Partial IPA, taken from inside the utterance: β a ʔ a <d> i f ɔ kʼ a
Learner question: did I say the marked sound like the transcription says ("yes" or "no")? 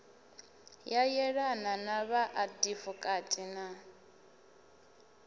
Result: yes